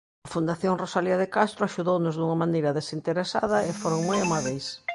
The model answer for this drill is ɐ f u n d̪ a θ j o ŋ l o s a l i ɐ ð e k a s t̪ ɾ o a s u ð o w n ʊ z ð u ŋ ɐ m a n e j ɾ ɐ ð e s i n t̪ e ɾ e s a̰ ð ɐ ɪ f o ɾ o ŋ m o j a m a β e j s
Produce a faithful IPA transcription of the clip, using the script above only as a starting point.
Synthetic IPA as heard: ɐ f u n d̪ a θ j o ŋ r o s a l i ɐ ð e k a s t̪ ɾ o a ʃ u ð o w n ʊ z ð u ŋ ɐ m a n e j ɾ ɐ ð e s i n t̪ e ɾ e s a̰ ð ɐ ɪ f o ɾ o ŋ m o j a m a β e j s